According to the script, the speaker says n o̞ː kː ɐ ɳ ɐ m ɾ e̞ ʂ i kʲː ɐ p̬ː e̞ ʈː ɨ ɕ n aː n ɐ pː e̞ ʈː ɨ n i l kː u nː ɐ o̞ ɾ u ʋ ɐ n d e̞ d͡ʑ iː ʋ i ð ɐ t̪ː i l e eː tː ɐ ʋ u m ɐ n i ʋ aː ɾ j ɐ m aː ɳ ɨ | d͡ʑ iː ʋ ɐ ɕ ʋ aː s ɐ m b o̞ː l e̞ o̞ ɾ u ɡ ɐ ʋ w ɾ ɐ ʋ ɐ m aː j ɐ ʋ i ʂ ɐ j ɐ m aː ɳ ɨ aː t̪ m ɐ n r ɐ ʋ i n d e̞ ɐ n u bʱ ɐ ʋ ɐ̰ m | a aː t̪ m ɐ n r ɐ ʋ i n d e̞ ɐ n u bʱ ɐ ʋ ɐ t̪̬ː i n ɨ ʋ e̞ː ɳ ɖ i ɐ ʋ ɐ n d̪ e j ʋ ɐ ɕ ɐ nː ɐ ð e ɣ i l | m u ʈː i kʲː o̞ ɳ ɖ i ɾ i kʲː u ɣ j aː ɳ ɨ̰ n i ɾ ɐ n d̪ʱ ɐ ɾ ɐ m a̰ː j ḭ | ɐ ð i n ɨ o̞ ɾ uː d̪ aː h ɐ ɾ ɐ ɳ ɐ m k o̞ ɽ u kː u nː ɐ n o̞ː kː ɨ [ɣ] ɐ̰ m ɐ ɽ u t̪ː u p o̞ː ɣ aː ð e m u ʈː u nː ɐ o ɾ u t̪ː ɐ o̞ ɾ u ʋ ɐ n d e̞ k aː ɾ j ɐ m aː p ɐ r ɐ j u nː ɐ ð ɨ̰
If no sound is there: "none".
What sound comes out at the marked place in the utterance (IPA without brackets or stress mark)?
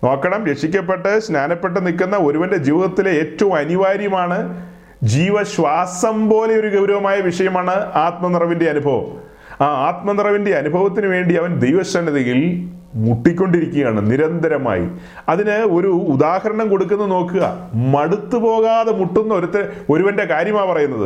ɣ